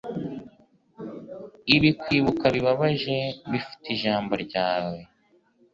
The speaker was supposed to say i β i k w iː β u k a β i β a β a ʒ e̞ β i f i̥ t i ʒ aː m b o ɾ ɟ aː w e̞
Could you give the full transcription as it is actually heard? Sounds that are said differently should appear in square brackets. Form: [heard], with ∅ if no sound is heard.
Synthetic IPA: i β i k w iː β u k a β i β a β a ʒ e̞ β i f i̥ t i ʒ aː m b o ɾ ɟ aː w e̞

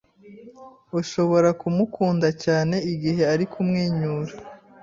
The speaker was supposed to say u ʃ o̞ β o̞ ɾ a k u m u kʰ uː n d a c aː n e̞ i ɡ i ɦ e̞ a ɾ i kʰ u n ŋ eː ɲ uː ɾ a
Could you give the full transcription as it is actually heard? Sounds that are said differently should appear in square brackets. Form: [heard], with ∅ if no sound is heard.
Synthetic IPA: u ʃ o̞ β o̞ ɾ a k u m u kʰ uː n d a c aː n e̞ i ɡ i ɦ e̞ a ɾ i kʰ u [m] ŋ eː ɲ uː ɾ a

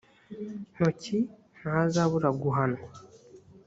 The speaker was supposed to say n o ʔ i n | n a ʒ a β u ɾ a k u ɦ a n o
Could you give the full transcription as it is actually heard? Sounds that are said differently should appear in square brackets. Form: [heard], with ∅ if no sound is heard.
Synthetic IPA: n o [c] i [∅] | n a [z] a β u ɾ a [ɡ] u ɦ a n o

